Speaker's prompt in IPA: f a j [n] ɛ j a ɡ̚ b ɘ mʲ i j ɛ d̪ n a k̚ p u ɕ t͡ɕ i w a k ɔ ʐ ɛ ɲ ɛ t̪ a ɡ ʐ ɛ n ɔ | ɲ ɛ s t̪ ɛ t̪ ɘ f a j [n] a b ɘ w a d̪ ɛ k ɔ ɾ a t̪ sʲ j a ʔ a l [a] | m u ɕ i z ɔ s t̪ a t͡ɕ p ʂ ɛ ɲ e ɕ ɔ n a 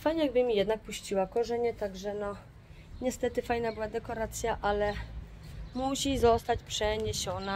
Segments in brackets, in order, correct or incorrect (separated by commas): incorrect, correct, incorrect